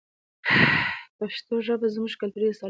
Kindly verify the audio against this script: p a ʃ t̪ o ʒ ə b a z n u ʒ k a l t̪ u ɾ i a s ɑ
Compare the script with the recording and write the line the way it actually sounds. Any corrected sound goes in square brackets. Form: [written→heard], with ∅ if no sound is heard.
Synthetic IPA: p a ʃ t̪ o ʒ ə b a z [n→m] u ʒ k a l t̪ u ɾ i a s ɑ